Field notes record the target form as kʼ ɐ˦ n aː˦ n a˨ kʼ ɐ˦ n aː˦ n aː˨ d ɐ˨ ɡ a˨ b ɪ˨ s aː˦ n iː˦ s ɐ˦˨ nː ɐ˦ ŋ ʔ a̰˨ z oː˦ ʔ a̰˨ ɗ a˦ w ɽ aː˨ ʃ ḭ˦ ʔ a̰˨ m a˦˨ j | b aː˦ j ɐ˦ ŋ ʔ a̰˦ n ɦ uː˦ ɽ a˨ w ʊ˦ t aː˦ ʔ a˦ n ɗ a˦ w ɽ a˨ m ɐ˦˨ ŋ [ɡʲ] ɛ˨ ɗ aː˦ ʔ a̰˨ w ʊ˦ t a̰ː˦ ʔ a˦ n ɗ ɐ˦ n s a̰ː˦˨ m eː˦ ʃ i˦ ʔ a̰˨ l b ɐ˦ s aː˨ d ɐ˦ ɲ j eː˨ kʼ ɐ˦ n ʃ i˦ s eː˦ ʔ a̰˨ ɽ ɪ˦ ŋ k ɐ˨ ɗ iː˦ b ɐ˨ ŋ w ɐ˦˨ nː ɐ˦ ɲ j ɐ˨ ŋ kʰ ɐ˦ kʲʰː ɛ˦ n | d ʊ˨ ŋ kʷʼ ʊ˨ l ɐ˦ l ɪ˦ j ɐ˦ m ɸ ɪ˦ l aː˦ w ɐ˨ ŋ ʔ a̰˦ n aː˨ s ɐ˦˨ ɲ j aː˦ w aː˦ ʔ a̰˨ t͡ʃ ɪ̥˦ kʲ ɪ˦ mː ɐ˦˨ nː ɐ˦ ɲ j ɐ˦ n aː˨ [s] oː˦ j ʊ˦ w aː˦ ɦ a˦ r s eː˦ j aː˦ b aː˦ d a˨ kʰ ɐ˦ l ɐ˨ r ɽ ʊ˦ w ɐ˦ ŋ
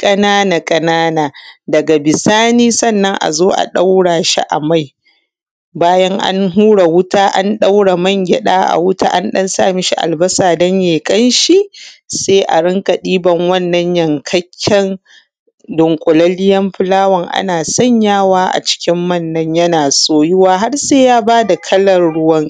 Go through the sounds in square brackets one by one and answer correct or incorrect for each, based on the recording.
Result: correct, correct

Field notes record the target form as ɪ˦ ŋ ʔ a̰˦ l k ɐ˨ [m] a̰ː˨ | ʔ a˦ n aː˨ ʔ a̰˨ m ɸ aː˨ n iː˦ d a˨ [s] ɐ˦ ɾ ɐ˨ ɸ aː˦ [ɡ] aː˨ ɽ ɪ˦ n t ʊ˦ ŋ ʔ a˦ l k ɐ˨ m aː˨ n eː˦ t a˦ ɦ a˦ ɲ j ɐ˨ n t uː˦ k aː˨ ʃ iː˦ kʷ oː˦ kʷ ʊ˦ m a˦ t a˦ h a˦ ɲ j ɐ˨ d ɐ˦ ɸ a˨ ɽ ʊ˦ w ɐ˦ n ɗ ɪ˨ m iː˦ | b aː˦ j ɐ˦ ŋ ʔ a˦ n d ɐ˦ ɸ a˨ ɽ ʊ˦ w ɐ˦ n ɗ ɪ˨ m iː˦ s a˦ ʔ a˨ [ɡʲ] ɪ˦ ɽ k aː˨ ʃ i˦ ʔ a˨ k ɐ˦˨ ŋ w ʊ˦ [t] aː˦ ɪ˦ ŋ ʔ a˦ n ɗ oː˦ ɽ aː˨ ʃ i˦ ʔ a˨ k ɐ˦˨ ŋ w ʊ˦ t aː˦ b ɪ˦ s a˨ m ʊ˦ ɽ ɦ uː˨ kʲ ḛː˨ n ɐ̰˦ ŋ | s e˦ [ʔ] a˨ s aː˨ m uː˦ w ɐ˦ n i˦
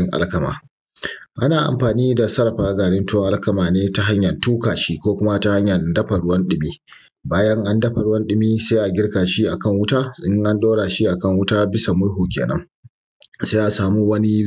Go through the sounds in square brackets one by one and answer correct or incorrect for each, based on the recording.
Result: correct, correct, correct, correct, correct, correct

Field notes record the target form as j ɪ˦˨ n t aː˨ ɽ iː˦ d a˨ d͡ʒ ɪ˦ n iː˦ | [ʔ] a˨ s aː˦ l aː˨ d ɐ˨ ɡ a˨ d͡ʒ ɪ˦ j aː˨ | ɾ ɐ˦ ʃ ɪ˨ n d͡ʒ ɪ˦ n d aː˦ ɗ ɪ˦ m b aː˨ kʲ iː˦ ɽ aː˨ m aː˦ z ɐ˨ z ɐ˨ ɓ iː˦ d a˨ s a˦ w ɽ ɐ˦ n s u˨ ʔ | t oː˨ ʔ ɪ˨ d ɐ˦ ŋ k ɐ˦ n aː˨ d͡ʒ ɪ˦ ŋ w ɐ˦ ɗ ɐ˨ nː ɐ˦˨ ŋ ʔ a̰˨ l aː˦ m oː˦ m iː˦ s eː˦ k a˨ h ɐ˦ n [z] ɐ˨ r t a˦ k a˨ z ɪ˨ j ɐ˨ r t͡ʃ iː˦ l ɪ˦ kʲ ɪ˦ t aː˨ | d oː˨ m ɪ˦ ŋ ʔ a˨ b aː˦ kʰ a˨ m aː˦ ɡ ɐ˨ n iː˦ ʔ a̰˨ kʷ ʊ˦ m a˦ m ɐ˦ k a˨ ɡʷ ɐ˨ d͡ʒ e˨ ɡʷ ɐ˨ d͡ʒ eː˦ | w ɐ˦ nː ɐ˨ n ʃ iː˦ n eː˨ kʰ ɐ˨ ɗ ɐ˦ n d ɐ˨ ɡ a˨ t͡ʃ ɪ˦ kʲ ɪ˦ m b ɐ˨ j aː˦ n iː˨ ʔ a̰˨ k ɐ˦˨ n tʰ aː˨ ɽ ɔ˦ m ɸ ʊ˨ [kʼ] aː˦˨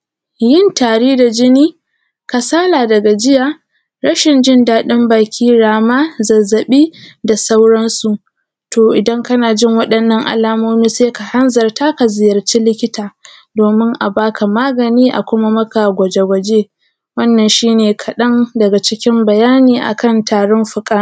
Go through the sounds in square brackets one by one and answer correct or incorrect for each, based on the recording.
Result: incorrect: k, correct, correct

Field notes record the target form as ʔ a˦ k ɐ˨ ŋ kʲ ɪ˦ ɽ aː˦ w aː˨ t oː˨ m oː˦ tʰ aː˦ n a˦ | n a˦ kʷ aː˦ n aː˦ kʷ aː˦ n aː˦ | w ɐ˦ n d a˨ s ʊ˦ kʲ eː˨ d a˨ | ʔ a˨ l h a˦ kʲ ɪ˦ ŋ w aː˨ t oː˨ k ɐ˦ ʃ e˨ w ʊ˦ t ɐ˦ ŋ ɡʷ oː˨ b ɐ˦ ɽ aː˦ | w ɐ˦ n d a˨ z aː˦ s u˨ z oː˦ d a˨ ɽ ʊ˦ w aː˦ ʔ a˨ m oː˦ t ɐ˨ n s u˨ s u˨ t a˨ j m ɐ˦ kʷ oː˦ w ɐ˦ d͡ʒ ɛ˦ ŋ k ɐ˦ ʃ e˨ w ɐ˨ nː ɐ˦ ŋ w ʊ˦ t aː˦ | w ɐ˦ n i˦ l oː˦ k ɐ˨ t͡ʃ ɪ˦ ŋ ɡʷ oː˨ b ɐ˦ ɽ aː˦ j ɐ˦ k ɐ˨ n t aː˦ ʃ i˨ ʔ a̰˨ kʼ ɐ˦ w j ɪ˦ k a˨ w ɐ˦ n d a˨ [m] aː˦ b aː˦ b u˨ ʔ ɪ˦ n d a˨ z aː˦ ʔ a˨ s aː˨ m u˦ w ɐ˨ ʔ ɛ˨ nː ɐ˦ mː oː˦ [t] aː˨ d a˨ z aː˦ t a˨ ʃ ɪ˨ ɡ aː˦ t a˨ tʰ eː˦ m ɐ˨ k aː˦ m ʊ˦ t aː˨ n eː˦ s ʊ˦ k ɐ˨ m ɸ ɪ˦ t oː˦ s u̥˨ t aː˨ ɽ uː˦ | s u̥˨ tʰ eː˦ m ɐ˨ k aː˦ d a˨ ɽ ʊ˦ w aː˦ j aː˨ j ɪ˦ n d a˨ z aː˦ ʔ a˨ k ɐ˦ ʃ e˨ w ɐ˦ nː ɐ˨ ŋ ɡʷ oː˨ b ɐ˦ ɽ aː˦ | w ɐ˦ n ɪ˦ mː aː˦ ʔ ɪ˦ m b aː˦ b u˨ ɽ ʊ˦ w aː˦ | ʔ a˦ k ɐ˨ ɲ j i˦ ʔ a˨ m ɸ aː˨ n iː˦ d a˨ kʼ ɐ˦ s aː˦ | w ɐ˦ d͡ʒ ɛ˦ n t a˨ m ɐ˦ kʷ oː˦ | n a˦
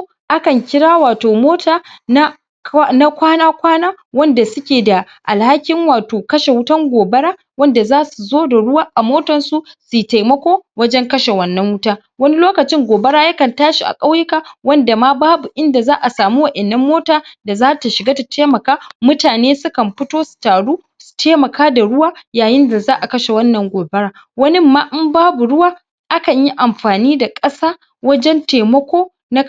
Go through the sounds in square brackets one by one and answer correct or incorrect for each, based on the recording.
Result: correct, correct

